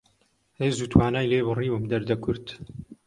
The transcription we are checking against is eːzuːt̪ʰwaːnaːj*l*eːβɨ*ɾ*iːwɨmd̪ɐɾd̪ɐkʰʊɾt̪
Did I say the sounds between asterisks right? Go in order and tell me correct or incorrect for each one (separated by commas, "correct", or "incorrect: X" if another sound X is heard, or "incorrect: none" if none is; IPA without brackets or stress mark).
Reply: correct, incorrect: r